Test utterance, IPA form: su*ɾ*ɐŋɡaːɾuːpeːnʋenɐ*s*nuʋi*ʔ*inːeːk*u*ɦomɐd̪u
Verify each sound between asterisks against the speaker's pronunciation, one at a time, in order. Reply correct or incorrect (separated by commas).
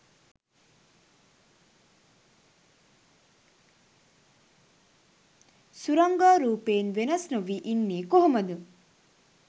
correct, correct, correct, incorrect